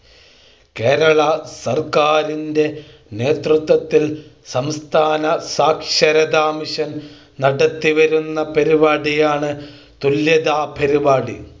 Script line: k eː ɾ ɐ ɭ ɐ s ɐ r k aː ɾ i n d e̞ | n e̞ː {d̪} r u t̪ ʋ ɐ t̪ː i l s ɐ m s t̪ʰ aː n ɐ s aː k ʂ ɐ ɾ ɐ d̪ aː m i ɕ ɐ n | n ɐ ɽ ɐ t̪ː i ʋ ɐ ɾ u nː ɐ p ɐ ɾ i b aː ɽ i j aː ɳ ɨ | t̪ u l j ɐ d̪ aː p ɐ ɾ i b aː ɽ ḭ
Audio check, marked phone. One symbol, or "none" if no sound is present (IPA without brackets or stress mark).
t̪